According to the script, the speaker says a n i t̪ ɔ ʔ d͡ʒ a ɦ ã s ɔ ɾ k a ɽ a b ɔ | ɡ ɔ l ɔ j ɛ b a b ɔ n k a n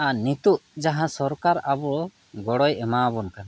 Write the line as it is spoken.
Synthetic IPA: a n i t̪ u ʔ d͡ʒ a ɦ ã s ɔ ɾ k a ɾ a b ɔ | ɡ ɔ ɽ ɔ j ɛ m a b ɔ n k a n